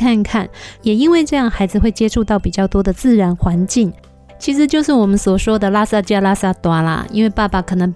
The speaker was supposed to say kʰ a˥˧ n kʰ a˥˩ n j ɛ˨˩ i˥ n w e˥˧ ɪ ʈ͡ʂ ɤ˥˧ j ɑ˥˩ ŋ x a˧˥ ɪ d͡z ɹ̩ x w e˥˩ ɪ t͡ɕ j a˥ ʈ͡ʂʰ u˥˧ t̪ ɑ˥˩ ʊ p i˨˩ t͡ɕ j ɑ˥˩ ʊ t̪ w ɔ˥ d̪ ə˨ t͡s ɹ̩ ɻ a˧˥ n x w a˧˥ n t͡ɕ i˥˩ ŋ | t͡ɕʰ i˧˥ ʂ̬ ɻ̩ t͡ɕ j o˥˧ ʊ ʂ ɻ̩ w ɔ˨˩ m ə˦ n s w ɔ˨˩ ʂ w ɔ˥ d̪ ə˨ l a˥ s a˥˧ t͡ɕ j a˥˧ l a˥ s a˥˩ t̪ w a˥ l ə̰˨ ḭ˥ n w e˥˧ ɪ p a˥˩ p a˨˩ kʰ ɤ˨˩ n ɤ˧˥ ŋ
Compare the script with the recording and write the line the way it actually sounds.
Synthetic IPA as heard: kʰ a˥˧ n kʰ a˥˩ n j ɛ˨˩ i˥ n w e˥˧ ɪ ʈ͡ʂ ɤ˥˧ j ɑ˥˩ ŋ x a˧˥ ɪ d͡z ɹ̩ x w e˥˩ ɪ t͡ɕ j ɛ˥ ʈ͡ʂʰ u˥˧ t̪ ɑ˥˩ ʊ p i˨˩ t͡ɕ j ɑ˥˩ ʊ t̪ w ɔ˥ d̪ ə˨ t͡s ɹ̩ ɻ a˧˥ n x w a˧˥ n t͡ɕ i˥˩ ŋ | t͡ɕʰ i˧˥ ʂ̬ ɻ̩ t͡ɕ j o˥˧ ʊ ʂ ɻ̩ w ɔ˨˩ m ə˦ n s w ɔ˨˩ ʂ w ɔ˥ d̪ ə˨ l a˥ s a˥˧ t͡ɕ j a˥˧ l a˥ s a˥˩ t̪ w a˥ l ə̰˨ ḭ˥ n w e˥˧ ɪ p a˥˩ p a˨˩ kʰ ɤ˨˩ n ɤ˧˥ ŋ